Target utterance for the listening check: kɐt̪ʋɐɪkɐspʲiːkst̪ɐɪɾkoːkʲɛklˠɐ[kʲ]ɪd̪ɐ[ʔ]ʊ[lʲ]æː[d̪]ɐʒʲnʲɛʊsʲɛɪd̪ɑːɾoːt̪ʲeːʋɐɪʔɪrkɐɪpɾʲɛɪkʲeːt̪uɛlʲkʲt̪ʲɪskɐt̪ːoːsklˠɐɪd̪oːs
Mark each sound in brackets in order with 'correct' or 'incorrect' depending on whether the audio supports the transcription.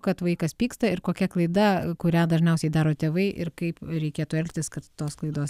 incorrect: none, incorrect: k, incorrect: ɾʲ, correct

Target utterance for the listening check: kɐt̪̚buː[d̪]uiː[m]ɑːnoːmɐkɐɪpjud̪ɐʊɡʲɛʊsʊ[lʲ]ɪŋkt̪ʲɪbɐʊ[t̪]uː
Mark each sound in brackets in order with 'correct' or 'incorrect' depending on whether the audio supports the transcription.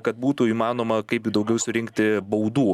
incorrect: t̪, correct, incorrect: ɾʲ, incorrect: d̪

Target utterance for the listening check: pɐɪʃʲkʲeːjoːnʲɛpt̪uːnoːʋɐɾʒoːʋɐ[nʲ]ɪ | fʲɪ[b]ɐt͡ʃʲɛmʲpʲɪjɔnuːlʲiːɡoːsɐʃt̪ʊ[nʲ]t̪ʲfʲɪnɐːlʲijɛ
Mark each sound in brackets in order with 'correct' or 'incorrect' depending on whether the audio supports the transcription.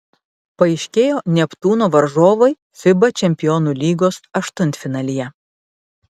incorrect: none, correct, correct

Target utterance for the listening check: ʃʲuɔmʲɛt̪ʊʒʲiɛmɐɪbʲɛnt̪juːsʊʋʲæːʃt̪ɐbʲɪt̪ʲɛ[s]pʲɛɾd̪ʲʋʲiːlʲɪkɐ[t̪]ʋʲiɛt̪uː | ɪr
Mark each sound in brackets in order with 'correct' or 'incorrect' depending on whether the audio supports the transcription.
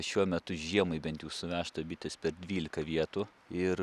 correct, incorrect: none

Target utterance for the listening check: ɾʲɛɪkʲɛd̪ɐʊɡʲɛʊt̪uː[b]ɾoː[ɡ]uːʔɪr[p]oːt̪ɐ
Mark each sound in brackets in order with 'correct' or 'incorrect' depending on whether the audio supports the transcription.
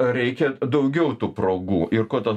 incorrect: p, correct, incorrect: k

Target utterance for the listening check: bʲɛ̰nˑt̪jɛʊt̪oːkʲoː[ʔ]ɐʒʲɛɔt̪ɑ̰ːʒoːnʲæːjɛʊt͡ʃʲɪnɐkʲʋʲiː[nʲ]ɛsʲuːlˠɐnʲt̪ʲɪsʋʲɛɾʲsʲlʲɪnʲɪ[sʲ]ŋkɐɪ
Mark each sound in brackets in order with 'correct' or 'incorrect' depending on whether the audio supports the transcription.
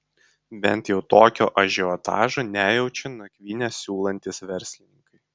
correct, correct, incorrect: none

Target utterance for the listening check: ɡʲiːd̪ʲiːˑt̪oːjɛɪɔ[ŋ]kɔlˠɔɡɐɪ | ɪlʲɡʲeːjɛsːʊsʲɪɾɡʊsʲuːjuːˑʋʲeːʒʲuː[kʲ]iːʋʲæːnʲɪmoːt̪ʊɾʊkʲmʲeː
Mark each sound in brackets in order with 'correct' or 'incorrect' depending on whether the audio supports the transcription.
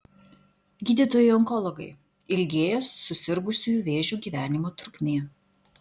correct, incorrect: ɡʲ

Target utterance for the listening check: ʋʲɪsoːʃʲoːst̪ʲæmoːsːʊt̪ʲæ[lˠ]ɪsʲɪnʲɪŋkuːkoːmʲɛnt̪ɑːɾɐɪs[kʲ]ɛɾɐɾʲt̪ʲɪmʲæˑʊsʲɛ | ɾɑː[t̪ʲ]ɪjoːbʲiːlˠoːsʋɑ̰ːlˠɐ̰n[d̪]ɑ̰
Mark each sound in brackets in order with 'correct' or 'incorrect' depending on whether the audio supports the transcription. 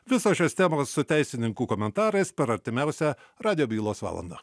incorrect: none, incorrect: pʲ, incorrect: d̪ʲ, correct

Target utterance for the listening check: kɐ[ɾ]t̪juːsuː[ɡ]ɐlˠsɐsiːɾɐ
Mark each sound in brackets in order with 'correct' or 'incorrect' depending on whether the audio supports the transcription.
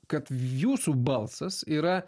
incorrect: none, incorrect: b

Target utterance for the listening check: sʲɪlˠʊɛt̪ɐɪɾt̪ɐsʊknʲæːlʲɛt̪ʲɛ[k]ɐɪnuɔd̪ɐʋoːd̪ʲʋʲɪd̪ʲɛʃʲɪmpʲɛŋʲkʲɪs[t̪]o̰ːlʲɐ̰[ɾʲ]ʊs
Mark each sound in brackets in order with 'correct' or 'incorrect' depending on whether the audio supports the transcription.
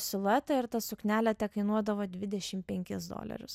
correct, incorrect: d̪, correct

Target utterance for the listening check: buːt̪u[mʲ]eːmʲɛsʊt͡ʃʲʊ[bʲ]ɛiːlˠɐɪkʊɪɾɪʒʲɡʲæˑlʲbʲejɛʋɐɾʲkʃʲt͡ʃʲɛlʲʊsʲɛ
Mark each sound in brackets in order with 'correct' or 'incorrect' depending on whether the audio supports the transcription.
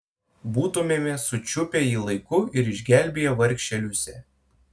correct, incorrect: pʲ

